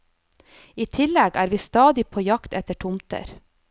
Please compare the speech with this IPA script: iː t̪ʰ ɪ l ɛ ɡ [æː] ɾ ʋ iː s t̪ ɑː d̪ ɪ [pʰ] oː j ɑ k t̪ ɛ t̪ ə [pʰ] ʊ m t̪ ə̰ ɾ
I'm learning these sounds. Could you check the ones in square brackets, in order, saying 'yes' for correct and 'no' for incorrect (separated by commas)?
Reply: yes, yes, no